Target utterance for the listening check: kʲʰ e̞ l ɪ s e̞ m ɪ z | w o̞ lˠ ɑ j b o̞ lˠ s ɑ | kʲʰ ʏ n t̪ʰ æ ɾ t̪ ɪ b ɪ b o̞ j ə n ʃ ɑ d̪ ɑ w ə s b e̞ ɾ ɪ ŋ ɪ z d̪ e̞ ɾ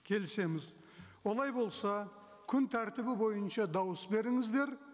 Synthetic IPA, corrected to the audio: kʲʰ e̞ l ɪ s e̞ m ɪ z | w o̞ lˠ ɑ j b o̞ lˠ s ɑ | kʲʰ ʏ n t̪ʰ æ ɾ t̪ ɪ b ɪ b o̞ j ə n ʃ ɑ d̪ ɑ w ə s b e̞ ɾ ɪ ŋ ɪ z d̪ e̞ ɾ